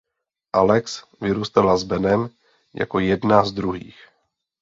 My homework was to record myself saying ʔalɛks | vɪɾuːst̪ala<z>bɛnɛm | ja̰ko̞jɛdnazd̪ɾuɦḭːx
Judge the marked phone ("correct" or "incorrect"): correct